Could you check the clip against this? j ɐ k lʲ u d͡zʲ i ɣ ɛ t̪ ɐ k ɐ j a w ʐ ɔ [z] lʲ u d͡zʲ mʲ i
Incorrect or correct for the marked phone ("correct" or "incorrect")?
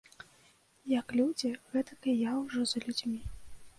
correct